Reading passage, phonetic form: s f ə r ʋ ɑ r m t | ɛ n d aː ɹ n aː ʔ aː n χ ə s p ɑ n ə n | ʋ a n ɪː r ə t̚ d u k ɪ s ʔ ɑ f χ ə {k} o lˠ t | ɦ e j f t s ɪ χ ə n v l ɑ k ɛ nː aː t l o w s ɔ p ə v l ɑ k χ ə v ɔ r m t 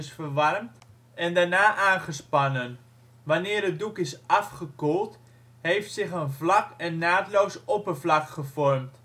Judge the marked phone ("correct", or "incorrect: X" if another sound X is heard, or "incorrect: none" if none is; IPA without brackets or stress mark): correct